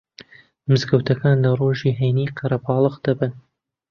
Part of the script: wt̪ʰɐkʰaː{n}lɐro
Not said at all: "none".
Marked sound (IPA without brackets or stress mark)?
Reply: n